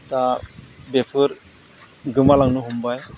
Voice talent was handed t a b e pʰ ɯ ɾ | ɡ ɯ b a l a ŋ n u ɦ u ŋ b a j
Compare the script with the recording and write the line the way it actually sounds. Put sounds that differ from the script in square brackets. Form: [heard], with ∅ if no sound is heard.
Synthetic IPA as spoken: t a b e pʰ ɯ ɾ | ɡ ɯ [m] a l a ŋ n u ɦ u [m] b a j